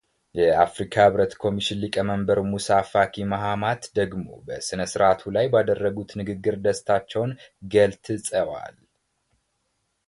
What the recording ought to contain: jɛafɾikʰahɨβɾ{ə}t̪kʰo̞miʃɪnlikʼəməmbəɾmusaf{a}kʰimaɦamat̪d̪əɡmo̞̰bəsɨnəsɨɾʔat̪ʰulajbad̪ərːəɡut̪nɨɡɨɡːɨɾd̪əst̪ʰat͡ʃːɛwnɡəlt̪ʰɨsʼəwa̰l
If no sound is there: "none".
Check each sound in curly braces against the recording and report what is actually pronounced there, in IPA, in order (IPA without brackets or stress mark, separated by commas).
ə, a